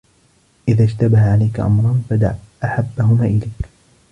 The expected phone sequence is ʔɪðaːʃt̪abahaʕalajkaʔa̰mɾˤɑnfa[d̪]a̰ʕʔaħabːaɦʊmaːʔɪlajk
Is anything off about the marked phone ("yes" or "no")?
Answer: no